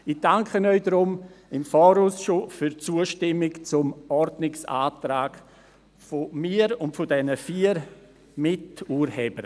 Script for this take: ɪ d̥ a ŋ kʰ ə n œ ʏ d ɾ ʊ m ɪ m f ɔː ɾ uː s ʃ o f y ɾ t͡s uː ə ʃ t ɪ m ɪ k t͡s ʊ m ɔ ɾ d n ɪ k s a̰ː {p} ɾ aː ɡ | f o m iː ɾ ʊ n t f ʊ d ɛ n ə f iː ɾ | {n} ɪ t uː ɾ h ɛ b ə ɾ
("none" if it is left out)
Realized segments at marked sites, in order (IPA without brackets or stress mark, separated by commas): t, m